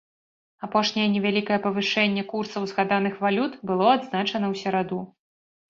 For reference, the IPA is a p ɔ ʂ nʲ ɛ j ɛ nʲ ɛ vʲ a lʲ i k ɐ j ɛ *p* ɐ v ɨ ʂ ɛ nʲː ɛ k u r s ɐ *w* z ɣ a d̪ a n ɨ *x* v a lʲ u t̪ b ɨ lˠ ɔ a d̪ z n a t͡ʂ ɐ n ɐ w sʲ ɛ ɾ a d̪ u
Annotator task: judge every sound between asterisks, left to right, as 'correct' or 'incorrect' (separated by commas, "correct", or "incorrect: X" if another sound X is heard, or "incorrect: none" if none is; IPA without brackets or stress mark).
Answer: correct, correct, correct